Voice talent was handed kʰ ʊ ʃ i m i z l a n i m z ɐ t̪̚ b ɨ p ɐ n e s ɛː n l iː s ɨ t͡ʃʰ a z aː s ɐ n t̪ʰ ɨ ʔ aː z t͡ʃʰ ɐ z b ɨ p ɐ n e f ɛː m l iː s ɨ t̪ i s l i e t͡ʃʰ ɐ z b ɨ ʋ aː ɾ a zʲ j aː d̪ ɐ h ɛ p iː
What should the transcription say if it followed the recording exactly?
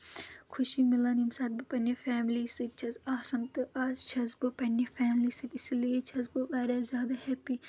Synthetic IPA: kʰ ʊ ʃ i m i l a n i m s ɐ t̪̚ b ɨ p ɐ n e f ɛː m l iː s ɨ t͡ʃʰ ɐ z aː s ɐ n t̪ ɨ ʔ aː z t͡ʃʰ ɐ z b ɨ p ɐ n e f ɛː m l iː s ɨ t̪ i s l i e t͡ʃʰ ɐ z b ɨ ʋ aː ɾ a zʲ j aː d̪ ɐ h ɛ p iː

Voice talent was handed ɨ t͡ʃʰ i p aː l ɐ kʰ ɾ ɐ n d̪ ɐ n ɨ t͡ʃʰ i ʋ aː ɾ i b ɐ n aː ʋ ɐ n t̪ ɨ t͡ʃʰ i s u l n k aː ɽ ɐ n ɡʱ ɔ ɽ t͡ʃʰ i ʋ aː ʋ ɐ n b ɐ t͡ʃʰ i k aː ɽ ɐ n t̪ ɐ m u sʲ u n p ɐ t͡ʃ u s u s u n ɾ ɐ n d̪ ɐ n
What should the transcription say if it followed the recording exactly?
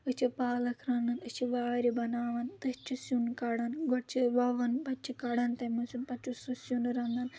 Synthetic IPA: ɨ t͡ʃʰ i p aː l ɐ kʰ ɾ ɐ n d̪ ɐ n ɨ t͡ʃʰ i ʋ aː ɾ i b ɐ n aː ʋ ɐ n t̪ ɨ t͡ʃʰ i s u n k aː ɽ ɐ n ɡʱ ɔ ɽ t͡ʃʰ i ʋ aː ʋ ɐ n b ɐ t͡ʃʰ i k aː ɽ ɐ n t̪ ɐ m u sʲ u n p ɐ t͡ʃ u s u s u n ɾ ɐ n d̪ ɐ n

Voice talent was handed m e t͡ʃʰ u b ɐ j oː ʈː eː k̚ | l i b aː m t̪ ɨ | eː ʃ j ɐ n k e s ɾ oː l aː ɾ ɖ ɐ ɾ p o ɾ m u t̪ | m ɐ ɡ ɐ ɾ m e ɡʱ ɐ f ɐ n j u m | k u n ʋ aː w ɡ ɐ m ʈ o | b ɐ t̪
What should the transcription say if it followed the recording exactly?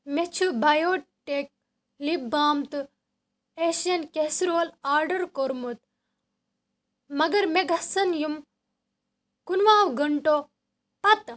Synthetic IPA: m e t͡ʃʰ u b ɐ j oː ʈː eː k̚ | l i b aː m t̪ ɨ | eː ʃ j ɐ n k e s ɾ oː l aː ɾ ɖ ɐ ɾ k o ɾ m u t̪ | m ɐ ɡ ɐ ɾ m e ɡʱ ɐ s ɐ n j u m | k u n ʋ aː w ɡ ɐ ɳ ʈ o | p ɐ t̪

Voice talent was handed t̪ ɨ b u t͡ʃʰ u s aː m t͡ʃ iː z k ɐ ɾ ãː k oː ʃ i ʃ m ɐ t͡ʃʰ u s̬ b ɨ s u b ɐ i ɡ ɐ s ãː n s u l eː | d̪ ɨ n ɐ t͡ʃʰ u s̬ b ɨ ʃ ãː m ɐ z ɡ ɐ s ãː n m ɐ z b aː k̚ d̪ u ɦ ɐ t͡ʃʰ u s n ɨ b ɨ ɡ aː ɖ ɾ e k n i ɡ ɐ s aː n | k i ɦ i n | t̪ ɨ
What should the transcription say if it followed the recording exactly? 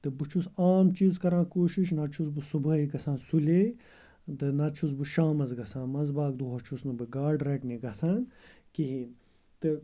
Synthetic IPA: t̪ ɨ b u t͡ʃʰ u s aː m t͡ʃ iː z k ɐ ɾ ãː k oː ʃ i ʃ n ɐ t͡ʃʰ u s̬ b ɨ s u b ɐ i ɡ ɐ s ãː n s u l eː | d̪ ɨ n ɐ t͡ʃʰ u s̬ b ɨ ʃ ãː m ɐ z ɡ ɐ s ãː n m ɐ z b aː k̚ d̪ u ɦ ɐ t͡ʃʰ u s n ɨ b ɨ ɡ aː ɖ ɾ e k n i ɡ ɐ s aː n | k i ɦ i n | t̪ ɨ

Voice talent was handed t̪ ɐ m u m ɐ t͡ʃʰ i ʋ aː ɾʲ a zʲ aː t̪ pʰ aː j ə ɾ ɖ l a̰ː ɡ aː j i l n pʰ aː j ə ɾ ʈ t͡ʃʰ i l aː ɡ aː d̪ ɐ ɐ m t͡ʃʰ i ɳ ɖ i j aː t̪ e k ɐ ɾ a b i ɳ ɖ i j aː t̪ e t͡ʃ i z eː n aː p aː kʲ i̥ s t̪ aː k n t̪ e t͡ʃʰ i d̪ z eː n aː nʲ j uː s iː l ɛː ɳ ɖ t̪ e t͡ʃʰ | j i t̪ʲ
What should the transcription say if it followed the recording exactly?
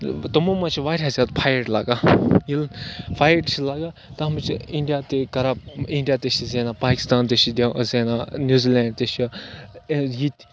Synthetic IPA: t̪ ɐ m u m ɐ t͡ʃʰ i ʋ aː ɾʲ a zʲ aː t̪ pʰ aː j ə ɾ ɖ l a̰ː ɡ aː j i l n pʰ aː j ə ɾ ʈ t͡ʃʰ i l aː ɡ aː t̪ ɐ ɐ m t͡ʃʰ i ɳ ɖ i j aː t̪ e k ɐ ɾ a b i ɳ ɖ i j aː t̪ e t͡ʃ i z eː n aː p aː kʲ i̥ s t̪ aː n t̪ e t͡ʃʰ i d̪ z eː n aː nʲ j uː z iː l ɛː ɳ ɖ t̪ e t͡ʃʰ | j i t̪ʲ

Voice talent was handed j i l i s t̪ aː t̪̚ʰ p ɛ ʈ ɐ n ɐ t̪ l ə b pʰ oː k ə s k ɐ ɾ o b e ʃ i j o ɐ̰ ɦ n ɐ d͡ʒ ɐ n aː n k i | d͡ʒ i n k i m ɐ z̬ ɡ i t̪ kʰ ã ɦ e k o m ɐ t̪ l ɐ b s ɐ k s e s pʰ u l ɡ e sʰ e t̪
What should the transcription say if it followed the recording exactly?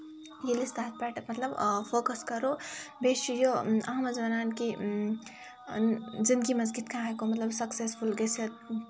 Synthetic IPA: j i l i s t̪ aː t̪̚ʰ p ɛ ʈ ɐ m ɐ t̪ l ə b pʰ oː k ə s k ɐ ɾ o b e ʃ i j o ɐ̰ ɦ m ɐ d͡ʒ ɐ n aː n k i | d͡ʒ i n k i m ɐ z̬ ɡ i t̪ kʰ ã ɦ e k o m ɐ t̪ l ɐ b s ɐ k s e s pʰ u l ɡ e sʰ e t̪

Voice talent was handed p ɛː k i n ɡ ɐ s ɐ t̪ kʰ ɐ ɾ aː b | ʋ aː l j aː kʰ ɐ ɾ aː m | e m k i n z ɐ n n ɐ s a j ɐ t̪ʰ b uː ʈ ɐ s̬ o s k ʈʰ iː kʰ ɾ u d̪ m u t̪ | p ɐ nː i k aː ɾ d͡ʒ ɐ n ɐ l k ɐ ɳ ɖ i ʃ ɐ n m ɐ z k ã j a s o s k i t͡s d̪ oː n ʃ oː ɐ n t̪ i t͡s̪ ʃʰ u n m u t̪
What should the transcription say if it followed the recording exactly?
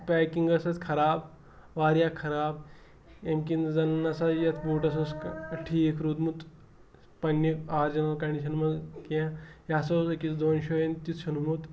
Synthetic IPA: p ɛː k i ŋ ɡ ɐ s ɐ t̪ kʰ ɐ ɾ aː b | ʋ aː ɾ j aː kʰ ɐ ɾ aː b | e m k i n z ɐ n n ɐ s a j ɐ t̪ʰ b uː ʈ ɐ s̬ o s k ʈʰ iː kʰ ɾ u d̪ m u t̪ | p ɐ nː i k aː ɾ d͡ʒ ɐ n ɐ l k ɐ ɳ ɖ i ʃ ɐ n m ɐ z k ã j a s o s k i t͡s d̪ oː n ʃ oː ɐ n t̪ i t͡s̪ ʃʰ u n m u t̪

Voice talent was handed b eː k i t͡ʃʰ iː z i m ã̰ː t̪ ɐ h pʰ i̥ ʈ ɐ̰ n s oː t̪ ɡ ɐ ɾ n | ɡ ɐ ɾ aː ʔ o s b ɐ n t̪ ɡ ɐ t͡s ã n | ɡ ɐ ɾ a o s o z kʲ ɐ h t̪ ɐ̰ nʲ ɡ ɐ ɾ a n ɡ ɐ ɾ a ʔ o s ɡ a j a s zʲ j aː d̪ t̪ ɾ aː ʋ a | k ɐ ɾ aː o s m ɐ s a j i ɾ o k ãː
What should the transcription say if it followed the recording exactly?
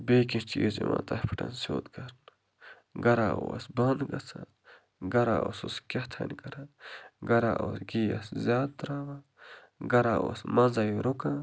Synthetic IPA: b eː k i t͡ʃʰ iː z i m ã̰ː t̪ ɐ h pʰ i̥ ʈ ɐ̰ n s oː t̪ ɡ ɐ ɾ n | ɡ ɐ ɾ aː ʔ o s b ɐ n d̪ ɡ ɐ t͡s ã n | ɡ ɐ ɾ a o s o s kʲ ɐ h t̪ʰ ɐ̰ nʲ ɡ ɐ ɾ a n ɡ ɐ ɾ a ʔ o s ɡ i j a s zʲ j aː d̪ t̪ ɾ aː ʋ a | ɡ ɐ ɾ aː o s m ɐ z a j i ɾ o k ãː

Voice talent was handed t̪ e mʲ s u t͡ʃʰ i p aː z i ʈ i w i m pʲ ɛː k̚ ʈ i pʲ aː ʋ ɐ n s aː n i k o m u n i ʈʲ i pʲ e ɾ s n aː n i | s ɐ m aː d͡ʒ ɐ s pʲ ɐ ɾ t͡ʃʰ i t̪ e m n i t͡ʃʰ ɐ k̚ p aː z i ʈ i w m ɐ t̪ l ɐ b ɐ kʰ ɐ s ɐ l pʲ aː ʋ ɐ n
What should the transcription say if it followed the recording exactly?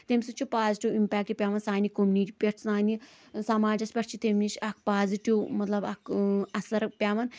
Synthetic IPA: t̪ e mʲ s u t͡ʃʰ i p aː z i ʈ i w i m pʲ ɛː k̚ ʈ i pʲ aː ʋ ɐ n s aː n i k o m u n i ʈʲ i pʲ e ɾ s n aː n i | s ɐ m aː d͡ʒ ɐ s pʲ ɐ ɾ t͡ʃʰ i t̪ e m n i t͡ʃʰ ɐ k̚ p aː z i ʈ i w m ɐ t̪ l ɐ b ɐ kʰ ɐ s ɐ ɾ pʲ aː ʋ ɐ n

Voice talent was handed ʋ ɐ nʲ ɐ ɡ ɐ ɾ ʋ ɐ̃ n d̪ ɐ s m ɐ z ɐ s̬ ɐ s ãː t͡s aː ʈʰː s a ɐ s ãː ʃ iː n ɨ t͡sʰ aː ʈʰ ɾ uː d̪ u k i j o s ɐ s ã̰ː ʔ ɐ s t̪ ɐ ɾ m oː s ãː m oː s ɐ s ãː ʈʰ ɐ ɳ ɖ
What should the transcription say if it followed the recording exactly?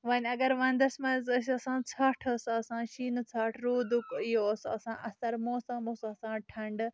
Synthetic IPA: ʋ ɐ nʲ ɐ ɡ ɐ ɾ ʋ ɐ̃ n d̪ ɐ s m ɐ z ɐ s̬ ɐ s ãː t͡sʰ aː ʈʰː s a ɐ s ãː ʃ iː n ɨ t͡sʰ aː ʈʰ ɾ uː d̪ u k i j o s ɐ s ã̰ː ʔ ɐ s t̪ ɐ ɾ m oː s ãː m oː s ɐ s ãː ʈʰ ɐ ɳ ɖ

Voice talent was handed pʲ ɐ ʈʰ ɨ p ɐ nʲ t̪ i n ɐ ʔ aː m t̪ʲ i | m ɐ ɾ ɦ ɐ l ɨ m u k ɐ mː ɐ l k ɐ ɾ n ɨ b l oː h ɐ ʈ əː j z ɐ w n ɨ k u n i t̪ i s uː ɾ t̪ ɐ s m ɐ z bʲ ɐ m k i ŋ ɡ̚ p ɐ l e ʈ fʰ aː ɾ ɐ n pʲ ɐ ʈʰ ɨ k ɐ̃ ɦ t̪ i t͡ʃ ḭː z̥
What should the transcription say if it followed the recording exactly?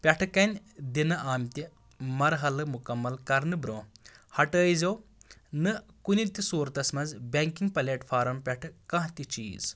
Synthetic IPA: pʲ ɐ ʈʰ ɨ k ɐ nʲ d̪ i n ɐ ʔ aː m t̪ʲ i | m ɐ ɾ ɦ ɐ l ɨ m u k ɐ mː ɐ l k ɐ ɾ n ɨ b ɾ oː h ɐ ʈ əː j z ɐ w n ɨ k u n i t̪ i s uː ɾ t̪ ɐ s m ɐ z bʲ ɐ ŋ k i ŋ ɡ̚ p ɐ l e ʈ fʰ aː ɾ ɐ m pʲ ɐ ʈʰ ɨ k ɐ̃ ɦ t̪ i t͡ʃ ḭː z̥

